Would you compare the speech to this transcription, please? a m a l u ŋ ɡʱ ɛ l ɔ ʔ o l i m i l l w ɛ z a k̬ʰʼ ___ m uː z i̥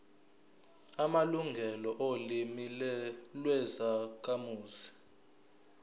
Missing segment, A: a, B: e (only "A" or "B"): A